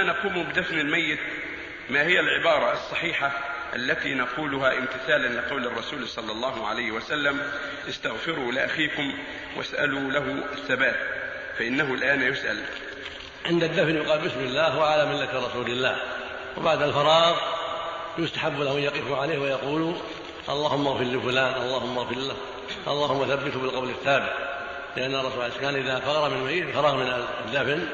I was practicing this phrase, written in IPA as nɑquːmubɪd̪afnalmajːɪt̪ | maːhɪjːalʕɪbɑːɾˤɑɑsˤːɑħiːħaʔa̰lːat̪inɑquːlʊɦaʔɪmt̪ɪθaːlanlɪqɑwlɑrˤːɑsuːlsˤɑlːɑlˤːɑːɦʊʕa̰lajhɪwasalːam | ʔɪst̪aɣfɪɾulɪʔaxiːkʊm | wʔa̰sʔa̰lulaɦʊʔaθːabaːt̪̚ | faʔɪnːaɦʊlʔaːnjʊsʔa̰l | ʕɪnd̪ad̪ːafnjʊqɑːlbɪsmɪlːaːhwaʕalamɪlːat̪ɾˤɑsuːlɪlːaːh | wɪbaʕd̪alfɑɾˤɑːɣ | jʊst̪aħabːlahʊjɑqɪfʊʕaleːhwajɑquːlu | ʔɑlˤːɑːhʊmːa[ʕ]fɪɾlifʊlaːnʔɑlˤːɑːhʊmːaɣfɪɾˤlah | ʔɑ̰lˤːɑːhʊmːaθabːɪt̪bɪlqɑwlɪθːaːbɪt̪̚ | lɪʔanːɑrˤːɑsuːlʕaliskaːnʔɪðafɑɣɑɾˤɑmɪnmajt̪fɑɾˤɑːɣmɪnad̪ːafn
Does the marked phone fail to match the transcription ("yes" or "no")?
yes